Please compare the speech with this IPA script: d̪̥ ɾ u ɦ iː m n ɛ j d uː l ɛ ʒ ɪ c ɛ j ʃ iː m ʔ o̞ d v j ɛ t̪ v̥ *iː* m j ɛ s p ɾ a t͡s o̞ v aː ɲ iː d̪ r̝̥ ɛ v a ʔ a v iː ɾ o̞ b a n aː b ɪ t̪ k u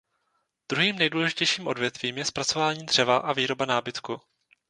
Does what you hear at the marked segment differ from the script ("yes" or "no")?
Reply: no